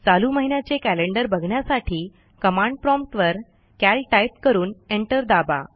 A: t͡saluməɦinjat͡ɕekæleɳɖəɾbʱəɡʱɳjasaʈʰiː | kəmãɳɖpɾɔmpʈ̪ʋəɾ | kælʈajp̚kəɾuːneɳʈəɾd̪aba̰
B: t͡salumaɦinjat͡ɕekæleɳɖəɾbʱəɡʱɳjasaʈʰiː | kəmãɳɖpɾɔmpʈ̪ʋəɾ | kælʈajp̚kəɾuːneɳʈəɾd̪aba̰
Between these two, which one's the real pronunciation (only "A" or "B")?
A